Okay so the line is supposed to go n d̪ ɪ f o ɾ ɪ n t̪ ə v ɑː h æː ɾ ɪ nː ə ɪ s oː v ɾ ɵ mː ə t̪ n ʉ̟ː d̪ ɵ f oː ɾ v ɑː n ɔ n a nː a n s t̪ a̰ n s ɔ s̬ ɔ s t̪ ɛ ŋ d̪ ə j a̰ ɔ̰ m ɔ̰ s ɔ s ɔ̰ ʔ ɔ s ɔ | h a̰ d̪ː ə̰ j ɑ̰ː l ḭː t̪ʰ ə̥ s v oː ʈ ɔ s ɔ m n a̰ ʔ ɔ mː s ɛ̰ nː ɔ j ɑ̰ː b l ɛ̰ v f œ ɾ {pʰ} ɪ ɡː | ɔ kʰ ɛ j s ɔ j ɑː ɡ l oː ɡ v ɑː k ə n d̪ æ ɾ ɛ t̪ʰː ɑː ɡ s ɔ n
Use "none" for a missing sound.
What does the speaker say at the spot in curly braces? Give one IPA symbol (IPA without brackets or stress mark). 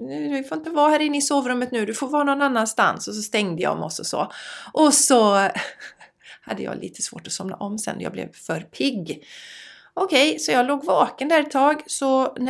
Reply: pʰ